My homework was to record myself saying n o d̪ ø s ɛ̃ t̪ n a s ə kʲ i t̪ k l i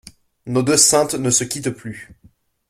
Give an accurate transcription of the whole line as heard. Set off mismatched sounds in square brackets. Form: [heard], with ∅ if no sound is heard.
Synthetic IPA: n o d̪ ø s ɛ̃ t̪ n [ə] s ə kʲ i t̪ [p] l [y]